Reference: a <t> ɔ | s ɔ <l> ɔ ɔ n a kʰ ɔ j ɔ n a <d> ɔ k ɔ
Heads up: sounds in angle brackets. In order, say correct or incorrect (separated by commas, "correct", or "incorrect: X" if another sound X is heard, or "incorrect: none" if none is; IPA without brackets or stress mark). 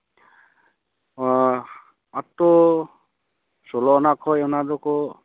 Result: correct, correct, correct